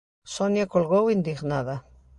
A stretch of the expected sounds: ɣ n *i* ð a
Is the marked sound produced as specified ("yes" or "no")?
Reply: no